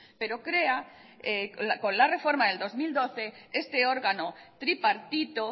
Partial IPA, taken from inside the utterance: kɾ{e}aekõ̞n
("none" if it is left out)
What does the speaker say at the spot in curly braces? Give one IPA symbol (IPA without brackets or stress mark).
e